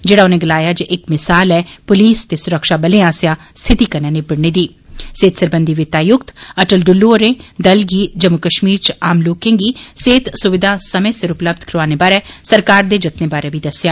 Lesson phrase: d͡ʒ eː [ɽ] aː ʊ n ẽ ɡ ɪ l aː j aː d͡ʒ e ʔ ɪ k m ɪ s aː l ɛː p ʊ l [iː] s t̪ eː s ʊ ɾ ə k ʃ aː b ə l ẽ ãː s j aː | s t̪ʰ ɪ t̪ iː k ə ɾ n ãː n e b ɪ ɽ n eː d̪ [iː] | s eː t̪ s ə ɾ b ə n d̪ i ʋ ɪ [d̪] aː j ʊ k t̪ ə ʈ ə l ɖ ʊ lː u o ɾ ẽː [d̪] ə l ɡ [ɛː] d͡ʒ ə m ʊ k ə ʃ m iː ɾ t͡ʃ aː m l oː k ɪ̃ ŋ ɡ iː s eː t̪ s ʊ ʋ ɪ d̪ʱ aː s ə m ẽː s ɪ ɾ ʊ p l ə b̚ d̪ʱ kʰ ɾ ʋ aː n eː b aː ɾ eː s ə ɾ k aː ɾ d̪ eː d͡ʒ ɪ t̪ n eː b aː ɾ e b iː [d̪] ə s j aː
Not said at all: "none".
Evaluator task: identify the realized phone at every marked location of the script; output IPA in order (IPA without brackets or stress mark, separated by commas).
ɽ, iː, iː, t̪, d̪, iː, d̪